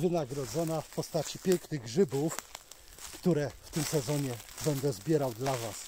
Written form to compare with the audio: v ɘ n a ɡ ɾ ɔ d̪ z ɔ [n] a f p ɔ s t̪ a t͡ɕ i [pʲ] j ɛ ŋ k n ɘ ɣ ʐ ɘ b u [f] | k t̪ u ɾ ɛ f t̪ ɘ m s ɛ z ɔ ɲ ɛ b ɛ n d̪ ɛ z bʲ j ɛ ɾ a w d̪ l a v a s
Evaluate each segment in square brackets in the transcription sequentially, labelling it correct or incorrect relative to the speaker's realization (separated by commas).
correct, correct, correct